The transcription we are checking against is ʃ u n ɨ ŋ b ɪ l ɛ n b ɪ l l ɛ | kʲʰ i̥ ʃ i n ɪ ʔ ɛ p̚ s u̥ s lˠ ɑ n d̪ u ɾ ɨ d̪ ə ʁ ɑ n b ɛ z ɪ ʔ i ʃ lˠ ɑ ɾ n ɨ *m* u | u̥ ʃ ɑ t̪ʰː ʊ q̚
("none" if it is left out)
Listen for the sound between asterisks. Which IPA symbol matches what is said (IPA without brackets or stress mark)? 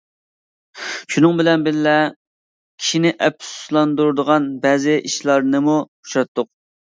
m